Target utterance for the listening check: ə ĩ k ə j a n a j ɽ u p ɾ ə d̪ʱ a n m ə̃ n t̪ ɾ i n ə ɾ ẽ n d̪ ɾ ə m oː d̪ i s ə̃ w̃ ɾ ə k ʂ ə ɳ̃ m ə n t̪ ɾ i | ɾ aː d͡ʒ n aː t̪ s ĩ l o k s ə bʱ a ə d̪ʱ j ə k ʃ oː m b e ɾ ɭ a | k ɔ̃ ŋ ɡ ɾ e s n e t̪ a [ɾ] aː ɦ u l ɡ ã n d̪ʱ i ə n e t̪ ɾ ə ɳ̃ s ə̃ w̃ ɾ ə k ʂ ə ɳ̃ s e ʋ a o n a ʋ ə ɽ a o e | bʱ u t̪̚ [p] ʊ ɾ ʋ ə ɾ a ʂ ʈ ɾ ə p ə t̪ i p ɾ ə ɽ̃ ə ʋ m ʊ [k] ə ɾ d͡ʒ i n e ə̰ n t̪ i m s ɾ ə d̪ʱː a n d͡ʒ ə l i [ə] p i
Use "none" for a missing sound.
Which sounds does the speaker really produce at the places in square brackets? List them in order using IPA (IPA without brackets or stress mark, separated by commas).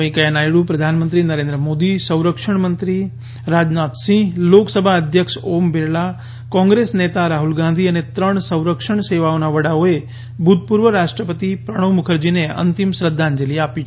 ɾ, p, kʰ, a